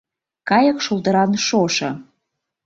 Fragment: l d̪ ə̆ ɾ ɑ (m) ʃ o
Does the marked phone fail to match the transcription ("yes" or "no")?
yes